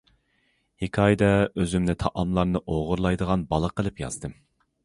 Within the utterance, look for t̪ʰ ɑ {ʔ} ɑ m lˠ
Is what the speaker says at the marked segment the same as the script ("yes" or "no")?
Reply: yes